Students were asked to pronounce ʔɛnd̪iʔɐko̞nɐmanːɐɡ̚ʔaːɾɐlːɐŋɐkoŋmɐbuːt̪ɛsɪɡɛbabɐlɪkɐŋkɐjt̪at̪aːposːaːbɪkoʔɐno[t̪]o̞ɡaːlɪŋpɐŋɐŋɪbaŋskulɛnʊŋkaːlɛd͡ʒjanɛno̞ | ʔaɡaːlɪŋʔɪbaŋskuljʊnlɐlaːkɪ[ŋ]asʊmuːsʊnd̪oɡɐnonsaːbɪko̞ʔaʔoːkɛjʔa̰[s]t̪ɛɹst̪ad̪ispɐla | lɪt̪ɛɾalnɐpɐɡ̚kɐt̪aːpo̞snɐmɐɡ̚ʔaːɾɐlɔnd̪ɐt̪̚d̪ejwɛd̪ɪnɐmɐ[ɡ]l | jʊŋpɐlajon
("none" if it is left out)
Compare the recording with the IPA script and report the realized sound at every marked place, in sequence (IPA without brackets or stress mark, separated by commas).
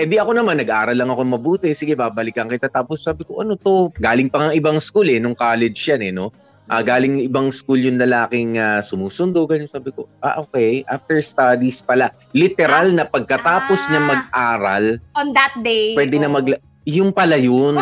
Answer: t̪, ŋ, f, ɡ